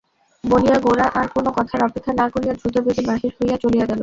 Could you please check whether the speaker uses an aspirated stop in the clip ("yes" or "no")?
yes